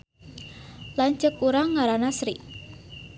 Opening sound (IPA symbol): l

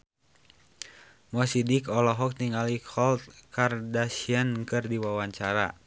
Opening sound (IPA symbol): m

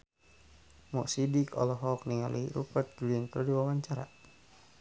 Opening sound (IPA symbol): m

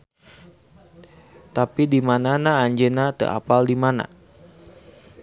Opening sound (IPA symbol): t̪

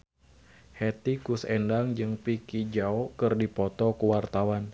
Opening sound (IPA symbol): h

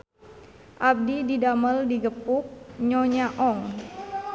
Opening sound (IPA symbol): ʔ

